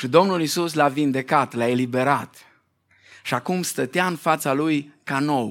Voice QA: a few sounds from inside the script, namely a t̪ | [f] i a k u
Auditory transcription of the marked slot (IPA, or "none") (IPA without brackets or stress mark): ʃ